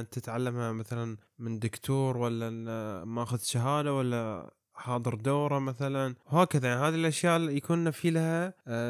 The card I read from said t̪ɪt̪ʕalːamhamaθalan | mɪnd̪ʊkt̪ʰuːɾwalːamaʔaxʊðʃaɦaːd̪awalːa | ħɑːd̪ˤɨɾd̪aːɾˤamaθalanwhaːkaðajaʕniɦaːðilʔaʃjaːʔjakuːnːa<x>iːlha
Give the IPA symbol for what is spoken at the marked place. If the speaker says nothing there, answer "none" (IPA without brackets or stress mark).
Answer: f